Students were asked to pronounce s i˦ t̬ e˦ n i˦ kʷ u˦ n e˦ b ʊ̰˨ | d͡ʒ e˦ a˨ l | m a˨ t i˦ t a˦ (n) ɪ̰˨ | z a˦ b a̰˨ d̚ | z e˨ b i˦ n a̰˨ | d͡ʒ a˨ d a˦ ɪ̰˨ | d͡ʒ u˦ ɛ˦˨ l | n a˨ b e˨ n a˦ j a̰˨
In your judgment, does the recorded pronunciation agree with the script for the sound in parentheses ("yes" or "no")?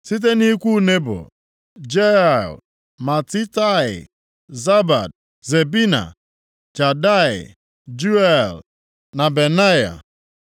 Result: no